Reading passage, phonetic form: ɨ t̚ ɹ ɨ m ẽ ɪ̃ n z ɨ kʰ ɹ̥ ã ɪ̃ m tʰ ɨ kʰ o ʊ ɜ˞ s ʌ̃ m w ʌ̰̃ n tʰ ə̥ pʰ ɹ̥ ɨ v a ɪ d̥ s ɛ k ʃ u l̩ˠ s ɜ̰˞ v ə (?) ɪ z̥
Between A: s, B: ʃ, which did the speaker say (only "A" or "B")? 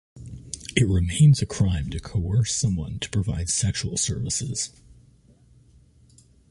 A